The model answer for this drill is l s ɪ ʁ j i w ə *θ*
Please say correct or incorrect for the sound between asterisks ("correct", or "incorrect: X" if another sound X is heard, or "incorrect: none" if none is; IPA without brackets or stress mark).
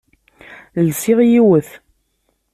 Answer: correct